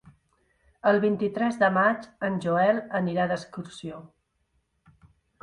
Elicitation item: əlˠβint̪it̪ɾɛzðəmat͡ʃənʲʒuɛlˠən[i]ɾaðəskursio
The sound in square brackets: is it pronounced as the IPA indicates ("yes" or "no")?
yes